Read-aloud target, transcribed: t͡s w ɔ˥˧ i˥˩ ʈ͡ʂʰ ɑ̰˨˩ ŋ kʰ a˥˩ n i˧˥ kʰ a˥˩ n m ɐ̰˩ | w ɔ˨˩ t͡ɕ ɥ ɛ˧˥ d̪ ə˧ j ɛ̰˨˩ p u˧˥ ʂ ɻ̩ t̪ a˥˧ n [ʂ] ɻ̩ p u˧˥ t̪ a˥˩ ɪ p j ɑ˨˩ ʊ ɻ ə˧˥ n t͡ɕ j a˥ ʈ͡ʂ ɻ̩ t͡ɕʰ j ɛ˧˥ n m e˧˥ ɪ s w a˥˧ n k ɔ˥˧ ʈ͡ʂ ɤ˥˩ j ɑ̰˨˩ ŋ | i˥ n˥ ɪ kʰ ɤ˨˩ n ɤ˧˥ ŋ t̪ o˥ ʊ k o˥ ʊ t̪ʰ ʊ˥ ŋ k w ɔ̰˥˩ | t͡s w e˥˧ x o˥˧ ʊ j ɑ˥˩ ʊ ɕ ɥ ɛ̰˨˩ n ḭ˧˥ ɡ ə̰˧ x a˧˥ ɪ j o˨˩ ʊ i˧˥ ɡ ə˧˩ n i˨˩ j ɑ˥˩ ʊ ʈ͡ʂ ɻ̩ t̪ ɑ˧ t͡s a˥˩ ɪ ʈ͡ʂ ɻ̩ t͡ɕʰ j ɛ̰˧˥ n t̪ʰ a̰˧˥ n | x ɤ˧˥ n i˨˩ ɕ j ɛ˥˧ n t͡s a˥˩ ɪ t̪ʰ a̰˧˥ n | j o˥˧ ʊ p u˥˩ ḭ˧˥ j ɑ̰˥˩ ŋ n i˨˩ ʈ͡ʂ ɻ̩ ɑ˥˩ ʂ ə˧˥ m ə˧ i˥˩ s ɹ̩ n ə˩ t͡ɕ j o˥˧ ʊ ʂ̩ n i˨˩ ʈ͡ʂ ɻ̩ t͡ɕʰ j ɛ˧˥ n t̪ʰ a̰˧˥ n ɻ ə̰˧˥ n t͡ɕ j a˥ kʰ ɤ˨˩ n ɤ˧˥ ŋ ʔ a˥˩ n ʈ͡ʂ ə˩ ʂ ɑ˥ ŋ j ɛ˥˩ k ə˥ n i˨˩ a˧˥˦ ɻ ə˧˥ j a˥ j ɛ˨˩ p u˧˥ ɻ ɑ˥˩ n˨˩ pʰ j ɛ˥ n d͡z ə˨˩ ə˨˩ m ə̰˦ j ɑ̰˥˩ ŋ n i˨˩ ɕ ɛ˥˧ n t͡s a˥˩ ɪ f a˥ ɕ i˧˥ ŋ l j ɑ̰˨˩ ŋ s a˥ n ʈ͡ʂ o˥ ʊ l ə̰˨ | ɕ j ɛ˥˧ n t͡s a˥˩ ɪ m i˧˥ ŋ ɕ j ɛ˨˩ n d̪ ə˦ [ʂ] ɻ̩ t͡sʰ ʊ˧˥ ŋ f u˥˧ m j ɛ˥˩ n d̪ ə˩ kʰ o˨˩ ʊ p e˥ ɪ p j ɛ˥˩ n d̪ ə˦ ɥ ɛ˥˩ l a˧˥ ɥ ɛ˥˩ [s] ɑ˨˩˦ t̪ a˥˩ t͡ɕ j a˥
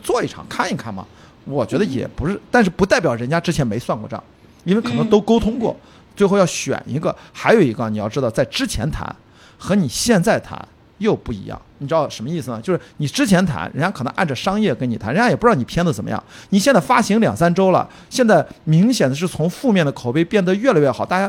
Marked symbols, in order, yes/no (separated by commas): yes, yes, no